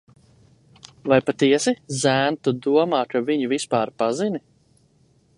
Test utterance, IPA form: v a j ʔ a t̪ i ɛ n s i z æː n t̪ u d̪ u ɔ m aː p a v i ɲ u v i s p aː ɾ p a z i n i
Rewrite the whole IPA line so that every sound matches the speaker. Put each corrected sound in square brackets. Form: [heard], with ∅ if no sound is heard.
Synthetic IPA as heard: v a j [p] a t̪ i ɛ [∅] s i z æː n t̪ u d̪ u ɔ m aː [k] a v i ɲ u v i s p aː ɾ p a z i n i